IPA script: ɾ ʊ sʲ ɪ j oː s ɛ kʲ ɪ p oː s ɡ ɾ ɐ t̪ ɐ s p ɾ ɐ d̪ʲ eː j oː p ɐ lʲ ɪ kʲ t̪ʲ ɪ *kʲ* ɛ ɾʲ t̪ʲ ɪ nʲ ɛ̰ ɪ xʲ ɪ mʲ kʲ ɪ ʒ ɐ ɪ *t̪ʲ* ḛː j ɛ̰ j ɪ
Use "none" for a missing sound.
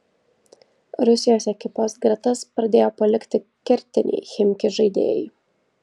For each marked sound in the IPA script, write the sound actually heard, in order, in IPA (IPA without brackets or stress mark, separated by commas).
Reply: kʲ, d̪ʲ